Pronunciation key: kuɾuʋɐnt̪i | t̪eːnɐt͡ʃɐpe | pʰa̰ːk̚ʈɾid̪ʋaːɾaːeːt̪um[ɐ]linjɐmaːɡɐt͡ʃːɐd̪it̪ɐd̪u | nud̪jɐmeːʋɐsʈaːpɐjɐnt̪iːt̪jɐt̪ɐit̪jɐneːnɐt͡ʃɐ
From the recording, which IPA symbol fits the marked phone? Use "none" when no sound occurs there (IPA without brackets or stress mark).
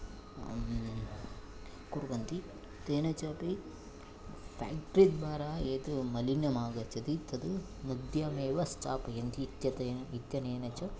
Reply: ɐ